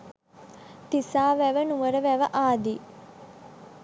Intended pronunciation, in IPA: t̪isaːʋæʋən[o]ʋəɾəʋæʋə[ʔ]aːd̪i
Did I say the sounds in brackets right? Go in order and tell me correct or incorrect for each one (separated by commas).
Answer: incorrect, correct